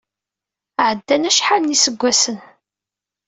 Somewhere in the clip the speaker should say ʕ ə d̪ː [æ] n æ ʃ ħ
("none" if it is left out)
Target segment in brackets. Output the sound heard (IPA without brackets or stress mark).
æ